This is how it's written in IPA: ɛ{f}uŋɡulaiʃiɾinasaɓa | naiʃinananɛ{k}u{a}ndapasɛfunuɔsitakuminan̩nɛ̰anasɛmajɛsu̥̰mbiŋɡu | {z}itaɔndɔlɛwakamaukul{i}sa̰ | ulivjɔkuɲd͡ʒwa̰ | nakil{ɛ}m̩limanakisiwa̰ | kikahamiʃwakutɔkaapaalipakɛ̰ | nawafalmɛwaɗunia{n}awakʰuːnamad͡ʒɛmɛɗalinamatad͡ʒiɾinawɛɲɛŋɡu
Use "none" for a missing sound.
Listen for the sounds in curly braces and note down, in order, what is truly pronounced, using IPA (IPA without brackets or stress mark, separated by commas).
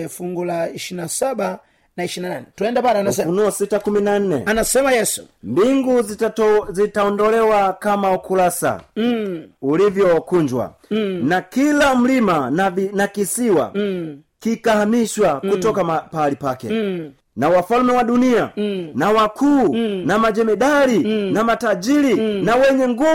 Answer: f, t, ɛ, z, a, a, n